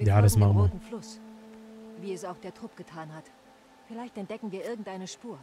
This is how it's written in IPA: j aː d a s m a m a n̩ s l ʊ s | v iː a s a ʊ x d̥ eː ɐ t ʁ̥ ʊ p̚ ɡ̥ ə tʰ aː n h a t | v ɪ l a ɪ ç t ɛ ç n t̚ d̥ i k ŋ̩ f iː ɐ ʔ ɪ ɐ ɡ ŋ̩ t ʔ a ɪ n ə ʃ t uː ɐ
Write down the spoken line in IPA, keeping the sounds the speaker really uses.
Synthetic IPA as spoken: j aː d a s m a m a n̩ f l ʊ s | v iː ɛ s a ʊ x d̥ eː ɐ t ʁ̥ ʊ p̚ ɡ̥ ə tʰ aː n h a t | f ɪ l a ɪ ç t ɛ n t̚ d̥ ɛ k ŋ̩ v iː ɐ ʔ ɪ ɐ ɡ ŋ̩ t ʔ a ɪ n ə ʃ p uː ɐ